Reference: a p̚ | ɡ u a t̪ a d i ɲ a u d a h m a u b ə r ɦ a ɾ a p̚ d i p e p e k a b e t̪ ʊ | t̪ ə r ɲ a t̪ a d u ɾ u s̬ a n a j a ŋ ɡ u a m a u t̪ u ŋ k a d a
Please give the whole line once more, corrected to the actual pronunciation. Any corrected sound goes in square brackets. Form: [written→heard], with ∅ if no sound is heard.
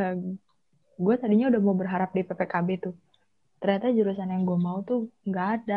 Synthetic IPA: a [p̚→∅] | ɡ u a t̪ a d i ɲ a u d a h m a u b ə r ɦ a ɾ a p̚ d i p e p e k a b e t̪ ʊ | t̪ ə r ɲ a t̪ a [d→d͡ʒ] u ɾ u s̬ a n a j a ŋ ɡ u a m a u t̪ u ŋ [k→ɡ] a d a